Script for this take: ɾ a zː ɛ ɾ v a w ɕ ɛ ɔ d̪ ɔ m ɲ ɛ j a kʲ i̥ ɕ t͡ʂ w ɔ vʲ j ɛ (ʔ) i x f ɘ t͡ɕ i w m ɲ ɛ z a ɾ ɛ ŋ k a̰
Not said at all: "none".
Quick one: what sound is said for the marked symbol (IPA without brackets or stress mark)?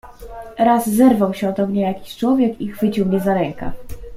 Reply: k